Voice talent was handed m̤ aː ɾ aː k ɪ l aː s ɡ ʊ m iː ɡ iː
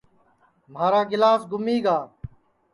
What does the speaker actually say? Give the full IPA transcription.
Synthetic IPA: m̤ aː ɾ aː ɡ ɪ l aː s ɡ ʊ m iː ɡ aː

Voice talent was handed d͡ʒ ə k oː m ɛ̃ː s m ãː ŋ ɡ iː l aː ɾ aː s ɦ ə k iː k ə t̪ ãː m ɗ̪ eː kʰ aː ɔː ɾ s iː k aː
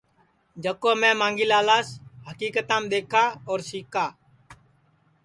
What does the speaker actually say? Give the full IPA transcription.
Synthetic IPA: d͡ʒ ə k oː m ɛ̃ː m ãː ŋ ɡ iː l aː l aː s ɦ ə k iː k ə t̪ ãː m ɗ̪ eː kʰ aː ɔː ɾ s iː k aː

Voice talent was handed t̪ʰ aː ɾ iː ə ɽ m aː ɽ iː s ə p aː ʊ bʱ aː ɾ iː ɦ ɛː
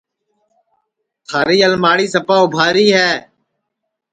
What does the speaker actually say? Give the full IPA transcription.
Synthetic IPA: t̪ʰ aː ɾ iː ə l m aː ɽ iː s ə p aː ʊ bʱ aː ɾ iː ɦ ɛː

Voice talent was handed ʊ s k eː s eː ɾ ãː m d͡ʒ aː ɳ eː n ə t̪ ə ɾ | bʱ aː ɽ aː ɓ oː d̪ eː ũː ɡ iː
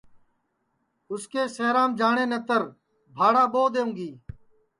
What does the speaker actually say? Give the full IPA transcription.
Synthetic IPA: ʊ s k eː s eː ɾ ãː m d͡ʒ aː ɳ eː n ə t̪ ə ɾ | bʱ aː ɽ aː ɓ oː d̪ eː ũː ɡ iː

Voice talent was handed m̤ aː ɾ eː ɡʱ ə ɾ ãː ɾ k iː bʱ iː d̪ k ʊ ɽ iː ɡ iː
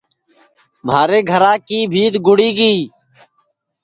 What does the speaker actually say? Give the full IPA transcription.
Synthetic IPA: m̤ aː ɾ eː ɡʱ ə ɾ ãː k iː bʱ iː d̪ ɡ ʊ ɽ iː ɡ iː

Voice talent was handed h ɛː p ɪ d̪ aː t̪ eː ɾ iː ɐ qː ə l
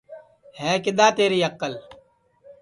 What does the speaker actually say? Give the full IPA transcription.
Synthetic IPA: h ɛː k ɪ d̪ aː t̪ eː ɾ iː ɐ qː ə l

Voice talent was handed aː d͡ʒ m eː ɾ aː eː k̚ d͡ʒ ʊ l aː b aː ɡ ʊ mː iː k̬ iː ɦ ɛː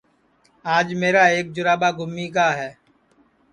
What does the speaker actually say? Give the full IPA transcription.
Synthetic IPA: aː d͡ʒ m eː ɾ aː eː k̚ d͡ʒ ʊ ɾ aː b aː ɡ ʊ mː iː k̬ aː ɦ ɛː

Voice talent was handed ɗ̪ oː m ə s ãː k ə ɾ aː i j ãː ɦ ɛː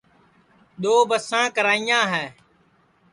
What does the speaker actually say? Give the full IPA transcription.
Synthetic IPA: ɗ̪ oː b ə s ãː k ə ɾ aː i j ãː ɦ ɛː

